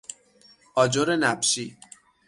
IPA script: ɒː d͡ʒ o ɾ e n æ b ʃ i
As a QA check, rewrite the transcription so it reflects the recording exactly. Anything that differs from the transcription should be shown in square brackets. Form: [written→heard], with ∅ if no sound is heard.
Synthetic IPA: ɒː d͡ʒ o ɾ e n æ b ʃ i